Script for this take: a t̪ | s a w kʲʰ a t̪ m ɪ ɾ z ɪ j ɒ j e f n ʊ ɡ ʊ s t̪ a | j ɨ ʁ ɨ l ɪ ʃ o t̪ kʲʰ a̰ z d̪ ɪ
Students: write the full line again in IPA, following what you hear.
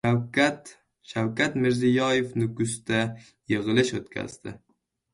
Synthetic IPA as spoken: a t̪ | ʃ a w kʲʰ a t̪ m ɪ ɾ z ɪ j ɒ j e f n ʊ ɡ ʊ s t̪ a | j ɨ ʁ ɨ l ɪ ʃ o t̪ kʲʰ a̰ z d̪ ɪ